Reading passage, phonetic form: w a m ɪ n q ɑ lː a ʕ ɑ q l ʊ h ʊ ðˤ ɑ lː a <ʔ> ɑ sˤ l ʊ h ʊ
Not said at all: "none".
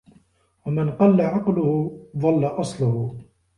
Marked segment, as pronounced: ʔ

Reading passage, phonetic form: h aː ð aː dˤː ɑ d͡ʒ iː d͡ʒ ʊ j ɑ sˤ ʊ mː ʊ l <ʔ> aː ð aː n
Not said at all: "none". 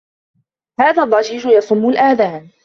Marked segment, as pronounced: ʔ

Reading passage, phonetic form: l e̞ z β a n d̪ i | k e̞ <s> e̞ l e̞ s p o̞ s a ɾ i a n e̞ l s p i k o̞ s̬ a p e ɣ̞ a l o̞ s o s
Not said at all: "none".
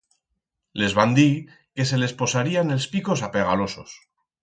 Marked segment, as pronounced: s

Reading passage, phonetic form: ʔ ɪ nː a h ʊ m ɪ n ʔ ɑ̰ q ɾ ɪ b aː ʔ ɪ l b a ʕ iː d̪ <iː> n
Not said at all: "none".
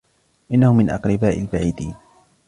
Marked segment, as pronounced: iː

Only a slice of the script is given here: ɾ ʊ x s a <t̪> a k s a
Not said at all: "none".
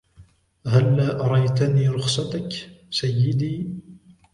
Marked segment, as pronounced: t̪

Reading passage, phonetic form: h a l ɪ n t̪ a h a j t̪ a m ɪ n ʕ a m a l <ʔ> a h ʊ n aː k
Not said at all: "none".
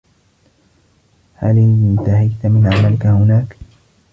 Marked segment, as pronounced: k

